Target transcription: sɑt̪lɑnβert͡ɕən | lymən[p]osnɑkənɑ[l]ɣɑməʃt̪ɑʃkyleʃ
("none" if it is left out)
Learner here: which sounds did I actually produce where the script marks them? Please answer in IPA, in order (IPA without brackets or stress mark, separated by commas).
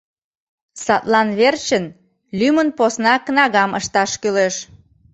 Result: p, none